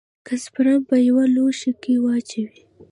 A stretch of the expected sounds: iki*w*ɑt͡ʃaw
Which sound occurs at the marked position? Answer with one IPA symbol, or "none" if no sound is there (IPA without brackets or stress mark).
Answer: w